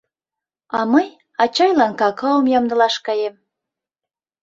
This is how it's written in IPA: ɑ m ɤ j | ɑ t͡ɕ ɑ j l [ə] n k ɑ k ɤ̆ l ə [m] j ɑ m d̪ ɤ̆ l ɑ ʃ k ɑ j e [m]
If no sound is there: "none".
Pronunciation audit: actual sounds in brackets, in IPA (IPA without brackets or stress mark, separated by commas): ɑ, m, m